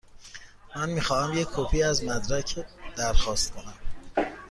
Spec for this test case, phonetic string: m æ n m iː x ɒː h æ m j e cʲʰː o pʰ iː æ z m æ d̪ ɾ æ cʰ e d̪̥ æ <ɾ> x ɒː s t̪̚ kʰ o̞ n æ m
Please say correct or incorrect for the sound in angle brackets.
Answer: correct